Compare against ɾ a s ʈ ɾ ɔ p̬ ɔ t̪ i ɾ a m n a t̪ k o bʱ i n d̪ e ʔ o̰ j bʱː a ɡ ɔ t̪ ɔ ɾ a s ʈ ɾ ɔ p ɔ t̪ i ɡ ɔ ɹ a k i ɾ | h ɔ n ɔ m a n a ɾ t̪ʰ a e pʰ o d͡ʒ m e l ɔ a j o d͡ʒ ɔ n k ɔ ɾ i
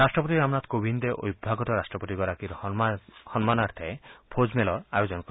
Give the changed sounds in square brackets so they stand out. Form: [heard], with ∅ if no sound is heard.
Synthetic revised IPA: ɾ a s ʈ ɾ ɔ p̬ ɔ t̪ i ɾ a m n a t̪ k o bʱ i n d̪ e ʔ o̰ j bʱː a ɡ ɔ t̪ ɔ ɾ a s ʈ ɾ ɔ p ɔ t̪ i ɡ ɔ [ɾ] a k i ɾ | h ɔ n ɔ m a n a ɾ t̪ʰ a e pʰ o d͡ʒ m e l ɔ a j o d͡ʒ ɔ n k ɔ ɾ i